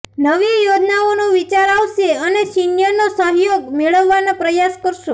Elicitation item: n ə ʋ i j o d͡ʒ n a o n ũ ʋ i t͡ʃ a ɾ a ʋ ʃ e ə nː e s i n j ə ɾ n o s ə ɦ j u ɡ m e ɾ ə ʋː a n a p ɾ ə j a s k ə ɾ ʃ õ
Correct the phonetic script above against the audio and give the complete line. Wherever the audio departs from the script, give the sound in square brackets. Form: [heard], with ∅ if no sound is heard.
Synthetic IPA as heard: n ə ʋ i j o d͡ʒ n a o n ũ ʋ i t͡ʃ a ɾ a ʋ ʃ e ə [n] e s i n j ə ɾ n o s ə ɦ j [o] ɡ m e [ɭ] ə ʋː a n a p ɾ ə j a s k ə ɾ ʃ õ